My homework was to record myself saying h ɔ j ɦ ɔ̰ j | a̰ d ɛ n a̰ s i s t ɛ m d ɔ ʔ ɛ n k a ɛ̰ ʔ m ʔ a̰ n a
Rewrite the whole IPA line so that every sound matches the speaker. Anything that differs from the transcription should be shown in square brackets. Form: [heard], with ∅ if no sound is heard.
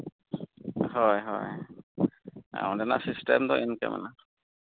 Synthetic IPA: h ɔ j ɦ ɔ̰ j | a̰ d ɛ n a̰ s i s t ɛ m d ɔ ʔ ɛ n k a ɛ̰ [∅] m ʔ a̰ n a